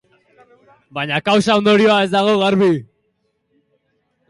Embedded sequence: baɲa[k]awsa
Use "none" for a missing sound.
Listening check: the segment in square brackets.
k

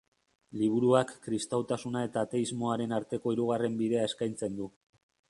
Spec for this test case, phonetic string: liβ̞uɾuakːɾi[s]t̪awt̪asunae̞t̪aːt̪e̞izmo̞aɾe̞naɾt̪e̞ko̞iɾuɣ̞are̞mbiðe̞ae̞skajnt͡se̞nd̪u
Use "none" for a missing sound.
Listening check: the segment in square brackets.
s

